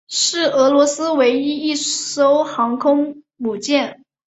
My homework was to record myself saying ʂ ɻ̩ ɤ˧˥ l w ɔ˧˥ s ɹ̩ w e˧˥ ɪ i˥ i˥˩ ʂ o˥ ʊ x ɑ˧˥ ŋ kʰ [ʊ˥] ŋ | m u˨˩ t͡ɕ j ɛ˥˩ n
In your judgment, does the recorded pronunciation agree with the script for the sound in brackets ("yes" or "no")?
yes